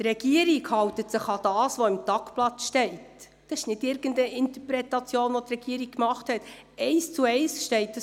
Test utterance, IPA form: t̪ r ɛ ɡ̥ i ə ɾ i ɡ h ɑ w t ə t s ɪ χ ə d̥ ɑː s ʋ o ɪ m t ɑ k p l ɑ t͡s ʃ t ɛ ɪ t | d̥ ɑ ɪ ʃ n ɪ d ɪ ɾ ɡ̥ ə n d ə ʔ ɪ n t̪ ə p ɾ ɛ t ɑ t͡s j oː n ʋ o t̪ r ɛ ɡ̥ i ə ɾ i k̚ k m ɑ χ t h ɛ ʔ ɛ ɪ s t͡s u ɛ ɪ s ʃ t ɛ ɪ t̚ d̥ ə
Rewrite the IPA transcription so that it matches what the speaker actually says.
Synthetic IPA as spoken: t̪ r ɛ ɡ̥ i ə ɾ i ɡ h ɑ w t ə t s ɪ χ ɑ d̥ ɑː s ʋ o ɪ m t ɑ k p l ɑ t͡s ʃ t ɛ ɪ t | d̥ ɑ ɪ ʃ n ɪ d ɪ ɾ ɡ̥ ə n d ə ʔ ɪ n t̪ ə p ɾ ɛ t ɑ t͡s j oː n ʋ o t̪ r ɛ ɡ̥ i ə ɾ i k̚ k m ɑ χ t h ɛ t ɛ ɪ s t͡s u ɛ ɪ s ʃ t ɛ ɪ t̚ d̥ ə